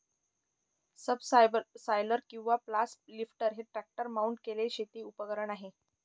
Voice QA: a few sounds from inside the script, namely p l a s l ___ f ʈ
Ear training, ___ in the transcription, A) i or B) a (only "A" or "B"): A